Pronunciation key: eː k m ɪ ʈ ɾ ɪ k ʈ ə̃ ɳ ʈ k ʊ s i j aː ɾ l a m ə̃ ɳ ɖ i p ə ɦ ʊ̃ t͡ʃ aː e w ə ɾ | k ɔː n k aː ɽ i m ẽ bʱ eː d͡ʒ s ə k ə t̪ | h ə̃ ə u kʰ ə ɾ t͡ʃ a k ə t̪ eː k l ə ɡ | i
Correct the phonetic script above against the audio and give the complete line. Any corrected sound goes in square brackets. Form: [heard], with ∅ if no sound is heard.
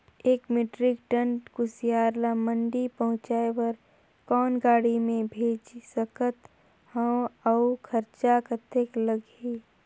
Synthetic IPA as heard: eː k m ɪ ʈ ɾ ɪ k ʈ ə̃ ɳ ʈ k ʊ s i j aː ɾ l a m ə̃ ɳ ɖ i p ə ɦ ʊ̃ t͡ʃ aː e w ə ɾ | k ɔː n [ɡ] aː ɽ i m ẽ bʱ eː d͡ʒ s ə k ə t̪ | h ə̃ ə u kʰ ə ɾ t͡ʃ a k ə t̪ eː k l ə ɡ | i